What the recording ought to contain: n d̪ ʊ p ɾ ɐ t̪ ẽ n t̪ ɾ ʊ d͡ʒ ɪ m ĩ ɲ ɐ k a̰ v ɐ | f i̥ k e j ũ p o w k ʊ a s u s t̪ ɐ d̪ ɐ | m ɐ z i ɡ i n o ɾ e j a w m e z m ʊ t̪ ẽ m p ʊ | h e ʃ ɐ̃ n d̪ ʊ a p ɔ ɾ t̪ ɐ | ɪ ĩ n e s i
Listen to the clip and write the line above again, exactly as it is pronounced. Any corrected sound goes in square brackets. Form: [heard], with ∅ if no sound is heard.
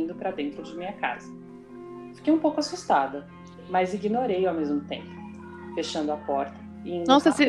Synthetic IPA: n d̪ ʊ p ɾ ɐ [d̪] ẽ n t̪ ɾ ʊ d͡ʒ ɪ m ĩ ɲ ɐ k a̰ [z] ɐ | f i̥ k e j ũ p o w k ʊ a s u s t̪ [a] d̪ ɐ | m ɐ z i ɡ i n o ɾ e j a w m e z m ʊ t̪ ẽ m p ʊ | [f] e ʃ ɐ̃ n d̪ ʊ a p ɔ ɾ t̪ ɐ | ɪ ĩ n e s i